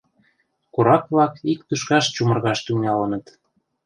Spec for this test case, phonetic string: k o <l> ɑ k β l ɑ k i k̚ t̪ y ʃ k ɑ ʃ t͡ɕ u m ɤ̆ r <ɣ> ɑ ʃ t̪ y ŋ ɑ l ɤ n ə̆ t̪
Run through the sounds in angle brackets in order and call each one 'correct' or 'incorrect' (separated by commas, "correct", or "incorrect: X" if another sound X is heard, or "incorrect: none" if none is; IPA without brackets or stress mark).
incorrect: ɾ, correct